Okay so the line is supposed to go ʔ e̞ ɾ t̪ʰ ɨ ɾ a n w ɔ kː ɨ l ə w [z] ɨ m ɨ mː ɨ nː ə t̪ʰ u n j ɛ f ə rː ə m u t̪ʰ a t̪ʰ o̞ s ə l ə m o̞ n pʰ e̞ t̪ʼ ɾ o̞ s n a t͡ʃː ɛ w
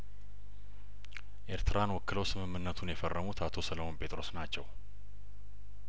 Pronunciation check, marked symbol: incorrect: s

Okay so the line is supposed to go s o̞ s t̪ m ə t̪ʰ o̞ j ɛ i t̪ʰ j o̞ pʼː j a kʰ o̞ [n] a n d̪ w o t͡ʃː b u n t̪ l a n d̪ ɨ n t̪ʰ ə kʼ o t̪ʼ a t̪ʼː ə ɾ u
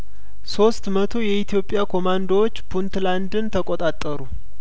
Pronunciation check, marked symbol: incorrect: m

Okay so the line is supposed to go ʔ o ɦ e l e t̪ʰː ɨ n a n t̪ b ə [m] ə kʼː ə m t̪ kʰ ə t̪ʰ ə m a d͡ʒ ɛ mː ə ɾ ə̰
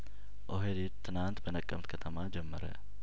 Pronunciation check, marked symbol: incorrect: n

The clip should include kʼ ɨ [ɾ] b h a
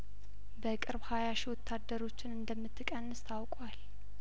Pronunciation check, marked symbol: correct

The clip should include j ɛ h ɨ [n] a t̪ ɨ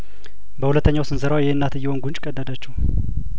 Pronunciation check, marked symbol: incorrect: nː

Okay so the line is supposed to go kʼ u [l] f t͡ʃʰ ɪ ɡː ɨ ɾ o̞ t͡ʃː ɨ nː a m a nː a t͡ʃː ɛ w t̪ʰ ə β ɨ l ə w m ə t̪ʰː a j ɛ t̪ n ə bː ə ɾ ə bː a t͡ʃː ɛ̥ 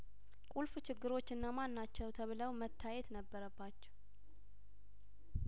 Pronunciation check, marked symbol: correct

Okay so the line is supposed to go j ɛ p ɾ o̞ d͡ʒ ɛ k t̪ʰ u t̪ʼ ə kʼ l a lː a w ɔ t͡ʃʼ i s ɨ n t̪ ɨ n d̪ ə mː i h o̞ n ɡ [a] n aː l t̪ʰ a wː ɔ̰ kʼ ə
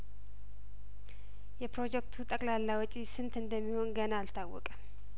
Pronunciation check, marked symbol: incorrect: ə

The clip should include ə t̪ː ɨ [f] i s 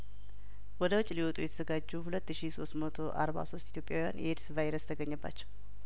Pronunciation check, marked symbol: incorrect: ʃ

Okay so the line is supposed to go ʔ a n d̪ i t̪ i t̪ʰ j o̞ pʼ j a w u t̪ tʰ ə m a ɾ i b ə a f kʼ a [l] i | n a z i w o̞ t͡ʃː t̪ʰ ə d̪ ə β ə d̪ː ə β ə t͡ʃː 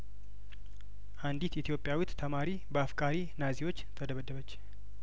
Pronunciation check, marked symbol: incorrect: ɾ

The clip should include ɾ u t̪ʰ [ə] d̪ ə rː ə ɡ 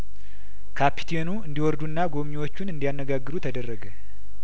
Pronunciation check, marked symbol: correct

